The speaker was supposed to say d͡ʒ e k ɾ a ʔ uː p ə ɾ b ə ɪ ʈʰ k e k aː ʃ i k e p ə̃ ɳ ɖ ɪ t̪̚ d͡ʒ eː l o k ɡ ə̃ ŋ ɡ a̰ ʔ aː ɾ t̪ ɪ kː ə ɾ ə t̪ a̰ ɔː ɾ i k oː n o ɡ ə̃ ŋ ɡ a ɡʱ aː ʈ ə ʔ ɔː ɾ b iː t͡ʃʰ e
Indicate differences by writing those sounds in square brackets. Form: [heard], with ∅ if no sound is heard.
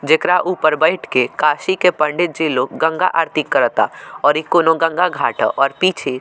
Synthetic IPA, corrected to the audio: d͡ʒ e k ɾ a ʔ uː p ə ɾ b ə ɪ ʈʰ k e k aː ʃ i k e p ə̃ ɳ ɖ ɪ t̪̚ d͡ʒ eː l o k ɡ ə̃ ŋ ɡ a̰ ʔ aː ɾ t̪ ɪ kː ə ɾ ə t̪ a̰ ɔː ɾ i k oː n o ɡ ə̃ ŋ ɡ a ɡʱ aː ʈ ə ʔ ɔː ɾ [p] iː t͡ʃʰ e